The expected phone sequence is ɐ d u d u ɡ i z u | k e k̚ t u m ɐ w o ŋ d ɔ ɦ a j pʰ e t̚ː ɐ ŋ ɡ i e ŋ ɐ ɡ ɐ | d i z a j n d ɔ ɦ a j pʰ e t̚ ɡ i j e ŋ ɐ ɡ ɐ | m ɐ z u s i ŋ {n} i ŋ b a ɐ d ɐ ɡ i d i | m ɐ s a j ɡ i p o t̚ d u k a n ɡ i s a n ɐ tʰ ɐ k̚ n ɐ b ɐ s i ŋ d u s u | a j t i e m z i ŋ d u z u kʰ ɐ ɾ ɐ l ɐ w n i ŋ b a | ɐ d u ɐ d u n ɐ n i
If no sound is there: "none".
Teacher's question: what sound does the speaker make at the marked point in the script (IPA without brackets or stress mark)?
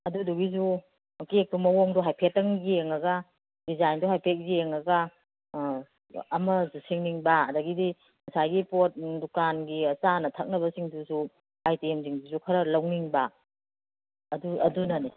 n